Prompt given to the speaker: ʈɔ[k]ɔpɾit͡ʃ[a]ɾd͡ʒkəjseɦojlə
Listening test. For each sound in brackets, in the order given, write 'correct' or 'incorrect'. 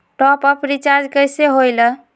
incorrect: p, correct

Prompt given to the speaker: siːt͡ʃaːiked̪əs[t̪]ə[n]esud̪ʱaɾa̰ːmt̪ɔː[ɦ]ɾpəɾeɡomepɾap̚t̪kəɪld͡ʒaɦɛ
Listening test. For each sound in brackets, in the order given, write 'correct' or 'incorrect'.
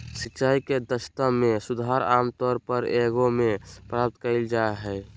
correct, incorrect: m, incorrect: none

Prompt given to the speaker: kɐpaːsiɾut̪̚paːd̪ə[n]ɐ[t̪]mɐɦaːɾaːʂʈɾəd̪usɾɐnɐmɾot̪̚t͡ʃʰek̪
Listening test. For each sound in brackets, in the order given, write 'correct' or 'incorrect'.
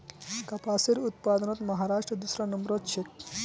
correct, correct

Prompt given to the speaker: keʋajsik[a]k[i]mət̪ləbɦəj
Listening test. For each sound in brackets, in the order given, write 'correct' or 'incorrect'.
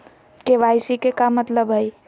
incorrect: e, incorrect: a

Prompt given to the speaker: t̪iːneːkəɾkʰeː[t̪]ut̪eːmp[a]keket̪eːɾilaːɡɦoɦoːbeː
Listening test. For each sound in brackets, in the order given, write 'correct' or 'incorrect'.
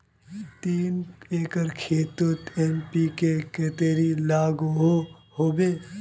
correct, incorrect: i

